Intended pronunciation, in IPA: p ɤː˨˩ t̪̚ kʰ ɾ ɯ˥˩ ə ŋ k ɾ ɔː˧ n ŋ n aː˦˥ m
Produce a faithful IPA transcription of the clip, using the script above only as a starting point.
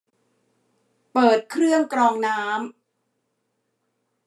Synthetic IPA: p ɤː˨˩ t̪̚ kʰ ɾ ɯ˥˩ ə ŋ k ɾ ɔː˧ ŋ n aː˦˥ m